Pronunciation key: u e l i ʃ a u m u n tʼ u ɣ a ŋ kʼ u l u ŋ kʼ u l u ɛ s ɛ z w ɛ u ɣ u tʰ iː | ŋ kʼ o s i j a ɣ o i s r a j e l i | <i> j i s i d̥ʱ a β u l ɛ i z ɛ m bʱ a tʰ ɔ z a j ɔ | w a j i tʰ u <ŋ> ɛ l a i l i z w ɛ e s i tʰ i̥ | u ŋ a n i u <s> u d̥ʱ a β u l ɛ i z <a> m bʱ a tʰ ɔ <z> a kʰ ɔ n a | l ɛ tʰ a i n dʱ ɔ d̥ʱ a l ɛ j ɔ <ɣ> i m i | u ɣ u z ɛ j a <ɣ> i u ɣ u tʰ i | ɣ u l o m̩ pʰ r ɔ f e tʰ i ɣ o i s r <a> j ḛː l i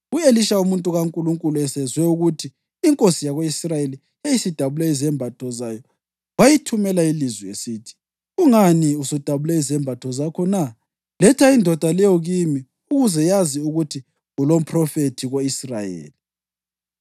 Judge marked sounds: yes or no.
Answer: no, no, yes, no, yes, yes, no, yes

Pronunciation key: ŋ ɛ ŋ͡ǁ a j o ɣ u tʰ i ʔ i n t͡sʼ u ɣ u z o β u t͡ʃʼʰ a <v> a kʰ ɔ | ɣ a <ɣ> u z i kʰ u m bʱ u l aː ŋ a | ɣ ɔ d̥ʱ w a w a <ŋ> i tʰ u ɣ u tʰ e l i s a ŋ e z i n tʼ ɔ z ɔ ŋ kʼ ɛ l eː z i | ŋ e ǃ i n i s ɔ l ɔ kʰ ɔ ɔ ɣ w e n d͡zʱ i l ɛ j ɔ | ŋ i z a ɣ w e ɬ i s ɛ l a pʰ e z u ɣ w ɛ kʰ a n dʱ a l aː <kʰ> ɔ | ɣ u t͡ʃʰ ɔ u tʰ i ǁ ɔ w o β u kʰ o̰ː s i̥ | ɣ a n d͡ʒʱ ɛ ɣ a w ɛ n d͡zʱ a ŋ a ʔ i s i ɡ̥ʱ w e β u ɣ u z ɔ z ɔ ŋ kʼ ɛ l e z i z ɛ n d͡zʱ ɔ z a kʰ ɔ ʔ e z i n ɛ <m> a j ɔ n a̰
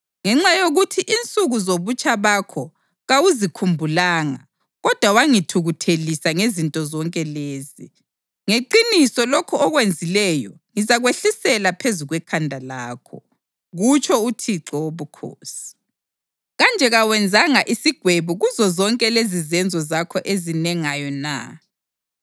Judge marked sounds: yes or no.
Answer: no, no, yes, yes, no

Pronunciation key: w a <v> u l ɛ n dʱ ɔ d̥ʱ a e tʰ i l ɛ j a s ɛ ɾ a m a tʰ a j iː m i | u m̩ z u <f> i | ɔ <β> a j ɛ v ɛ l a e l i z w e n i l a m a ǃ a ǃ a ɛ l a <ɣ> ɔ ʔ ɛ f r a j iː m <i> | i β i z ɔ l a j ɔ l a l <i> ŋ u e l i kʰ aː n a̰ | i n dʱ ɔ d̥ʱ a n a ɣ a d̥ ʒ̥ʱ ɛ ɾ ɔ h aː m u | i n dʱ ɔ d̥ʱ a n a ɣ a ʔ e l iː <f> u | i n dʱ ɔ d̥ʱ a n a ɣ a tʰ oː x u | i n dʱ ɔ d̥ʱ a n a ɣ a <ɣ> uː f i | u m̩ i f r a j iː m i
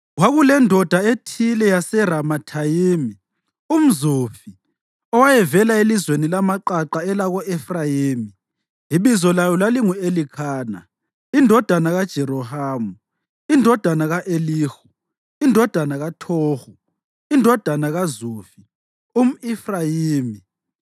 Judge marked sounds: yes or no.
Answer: no, yes, no, yes, yes, yes, no, no

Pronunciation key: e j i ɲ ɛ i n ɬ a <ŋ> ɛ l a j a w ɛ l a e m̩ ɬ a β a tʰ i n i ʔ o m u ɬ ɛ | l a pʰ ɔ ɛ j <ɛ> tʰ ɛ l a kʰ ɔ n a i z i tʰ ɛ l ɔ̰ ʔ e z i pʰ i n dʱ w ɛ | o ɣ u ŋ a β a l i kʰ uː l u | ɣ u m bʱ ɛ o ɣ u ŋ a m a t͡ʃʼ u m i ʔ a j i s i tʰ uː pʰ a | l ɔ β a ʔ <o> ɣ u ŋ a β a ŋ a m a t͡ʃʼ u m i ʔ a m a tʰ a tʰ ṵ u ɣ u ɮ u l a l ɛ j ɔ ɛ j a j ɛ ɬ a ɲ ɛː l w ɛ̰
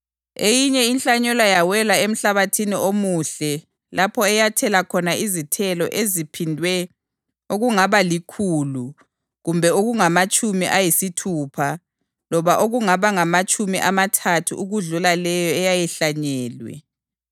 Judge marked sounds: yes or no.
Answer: no, no, yes

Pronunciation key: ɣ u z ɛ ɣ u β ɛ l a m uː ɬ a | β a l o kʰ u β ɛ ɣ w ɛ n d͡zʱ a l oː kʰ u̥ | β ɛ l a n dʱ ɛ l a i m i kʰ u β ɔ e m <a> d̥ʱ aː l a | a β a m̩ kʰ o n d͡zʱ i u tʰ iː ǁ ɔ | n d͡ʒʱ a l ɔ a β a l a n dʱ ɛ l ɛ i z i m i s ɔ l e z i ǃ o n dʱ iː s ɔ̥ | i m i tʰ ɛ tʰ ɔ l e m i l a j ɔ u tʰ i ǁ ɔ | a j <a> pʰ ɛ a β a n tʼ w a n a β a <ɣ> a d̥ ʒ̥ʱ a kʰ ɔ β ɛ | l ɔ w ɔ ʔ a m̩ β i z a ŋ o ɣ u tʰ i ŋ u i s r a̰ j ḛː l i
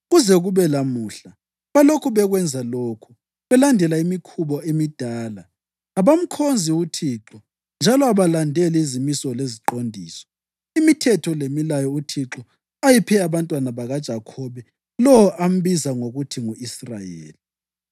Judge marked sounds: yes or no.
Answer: no, no, yes

